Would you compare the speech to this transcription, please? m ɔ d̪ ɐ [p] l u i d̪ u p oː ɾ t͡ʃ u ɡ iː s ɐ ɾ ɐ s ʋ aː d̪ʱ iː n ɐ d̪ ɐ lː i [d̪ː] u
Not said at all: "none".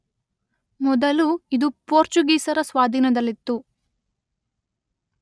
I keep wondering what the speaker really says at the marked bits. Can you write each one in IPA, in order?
none, t̪ː

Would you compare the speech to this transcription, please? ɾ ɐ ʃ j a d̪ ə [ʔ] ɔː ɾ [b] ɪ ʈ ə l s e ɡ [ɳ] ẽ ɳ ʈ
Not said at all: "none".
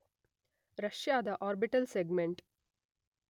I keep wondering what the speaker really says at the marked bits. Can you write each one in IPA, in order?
ʔ, b, m

